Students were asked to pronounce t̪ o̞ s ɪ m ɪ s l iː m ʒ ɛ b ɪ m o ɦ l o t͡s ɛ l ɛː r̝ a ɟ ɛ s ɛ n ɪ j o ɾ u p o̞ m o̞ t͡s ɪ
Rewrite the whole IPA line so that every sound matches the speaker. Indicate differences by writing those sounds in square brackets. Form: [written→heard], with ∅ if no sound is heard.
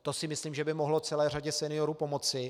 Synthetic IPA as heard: t̪ o̞ s ɪ m ɪ s l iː m ʒ ɛ b ɪ m o ɦ l o t͡s ɛ l ɛː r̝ a ɟ ɛ s ɛ n ɪ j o ɾ u p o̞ m o̞ t͡s ɪ